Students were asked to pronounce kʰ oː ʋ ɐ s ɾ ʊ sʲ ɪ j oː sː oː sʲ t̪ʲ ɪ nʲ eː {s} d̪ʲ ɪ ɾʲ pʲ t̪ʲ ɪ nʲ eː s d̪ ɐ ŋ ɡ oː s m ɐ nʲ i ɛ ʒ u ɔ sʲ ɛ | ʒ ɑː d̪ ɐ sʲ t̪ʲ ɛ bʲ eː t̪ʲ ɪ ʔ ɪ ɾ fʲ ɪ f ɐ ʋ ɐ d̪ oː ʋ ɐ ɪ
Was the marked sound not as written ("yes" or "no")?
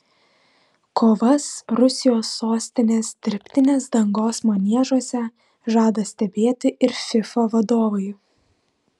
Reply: no